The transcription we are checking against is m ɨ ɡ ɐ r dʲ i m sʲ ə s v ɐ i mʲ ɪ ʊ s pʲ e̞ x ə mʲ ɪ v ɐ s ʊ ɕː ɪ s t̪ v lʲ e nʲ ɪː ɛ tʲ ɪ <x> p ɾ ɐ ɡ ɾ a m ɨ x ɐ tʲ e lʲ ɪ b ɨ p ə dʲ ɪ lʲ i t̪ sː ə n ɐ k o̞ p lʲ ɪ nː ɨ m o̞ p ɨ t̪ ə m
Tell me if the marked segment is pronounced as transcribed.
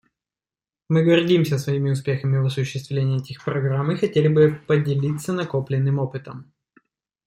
yes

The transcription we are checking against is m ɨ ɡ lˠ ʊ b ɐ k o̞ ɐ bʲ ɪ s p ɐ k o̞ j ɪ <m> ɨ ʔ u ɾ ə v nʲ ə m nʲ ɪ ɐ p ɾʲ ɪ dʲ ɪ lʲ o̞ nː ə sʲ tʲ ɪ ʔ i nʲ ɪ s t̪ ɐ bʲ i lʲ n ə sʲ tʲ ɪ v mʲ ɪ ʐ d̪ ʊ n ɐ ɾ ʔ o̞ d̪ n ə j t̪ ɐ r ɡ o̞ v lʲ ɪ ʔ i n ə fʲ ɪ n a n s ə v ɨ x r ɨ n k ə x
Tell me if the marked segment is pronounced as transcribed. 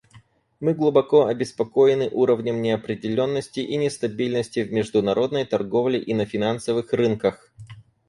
no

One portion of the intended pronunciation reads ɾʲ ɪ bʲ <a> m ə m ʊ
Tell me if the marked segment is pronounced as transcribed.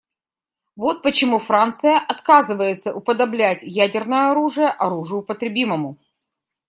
no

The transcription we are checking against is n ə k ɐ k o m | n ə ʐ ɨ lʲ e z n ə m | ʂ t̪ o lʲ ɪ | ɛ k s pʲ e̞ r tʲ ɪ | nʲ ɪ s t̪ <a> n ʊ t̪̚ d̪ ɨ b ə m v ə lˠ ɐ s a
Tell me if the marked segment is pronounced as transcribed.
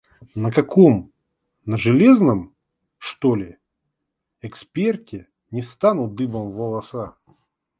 yes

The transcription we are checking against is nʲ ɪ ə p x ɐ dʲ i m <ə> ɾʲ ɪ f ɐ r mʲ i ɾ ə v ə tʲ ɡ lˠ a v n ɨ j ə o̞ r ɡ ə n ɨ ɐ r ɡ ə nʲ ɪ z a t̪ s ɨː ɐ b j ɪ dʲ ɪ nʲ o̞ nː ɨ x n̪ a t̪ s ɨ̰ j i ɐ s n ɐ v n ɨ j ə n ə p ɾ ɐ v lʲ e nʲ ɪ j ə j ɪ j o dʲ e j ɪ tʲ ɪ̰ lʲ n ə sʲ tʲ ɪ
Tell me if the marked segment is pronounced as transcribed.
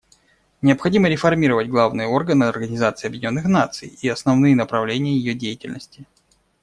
yes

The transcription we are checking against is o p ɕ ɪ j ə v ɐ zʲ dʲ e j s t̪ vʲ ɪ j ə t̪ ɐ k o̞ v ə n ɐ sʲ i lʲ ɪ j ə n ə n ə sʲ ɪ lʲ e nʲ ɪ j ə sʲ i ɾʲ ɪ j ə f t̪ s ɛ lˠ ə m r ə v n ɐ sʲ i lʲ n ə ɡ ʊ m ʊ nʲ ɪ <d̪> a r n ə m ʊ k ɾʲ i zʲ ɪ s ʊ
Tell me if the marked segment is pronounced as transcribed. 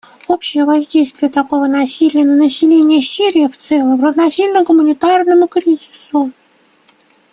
no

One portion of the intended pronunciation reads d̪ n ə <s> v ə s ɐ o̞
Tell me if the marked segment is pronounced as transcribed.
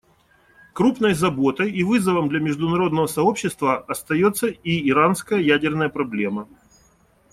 no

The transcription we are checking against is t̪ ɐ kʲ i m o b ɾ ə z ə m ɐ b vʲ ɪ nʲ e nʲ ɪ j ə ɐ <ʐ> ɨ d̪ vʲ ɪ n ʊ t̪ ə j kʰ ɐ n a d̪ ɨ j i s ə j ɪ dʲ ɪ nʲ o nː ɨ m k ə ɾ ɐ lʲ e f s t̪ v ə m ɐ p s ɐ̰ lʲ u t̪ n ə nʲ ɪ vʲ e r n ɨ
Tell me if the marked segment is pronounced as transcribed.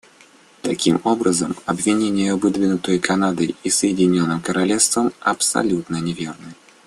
no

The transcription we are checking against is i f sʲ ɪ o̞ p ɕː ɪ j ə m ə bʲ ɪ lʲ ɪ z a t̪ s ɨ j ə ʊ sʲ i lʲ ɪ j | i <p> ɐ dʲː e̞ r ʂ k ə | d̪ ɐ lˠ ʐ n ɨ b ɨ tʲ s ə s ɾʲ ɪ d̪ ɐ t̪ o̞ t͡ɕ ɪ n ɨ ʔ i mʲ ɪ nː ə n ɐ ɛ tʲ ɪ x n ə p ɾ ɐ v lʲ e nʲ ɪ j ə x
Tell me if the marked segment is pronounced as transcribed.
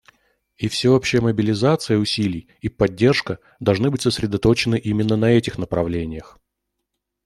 yes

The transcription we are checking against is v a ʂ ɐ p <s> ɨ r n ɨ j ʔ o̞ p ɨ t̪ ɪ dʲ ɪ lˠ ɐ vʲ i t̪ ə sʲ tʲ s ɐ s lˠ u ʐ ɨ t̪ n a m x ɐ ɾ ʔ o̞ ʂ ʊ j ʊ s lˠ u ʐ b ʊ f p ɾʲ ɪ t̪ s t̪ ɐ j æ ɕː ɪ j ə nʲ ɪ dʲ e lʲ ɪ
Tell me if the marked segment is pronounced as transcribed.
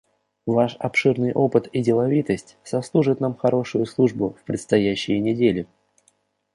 no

